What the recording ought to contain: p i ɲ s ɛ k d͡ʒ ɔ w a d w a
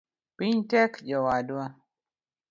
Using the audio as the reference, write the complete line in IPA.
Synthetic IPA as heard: p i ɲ t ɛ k d͡ʒ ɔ w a d w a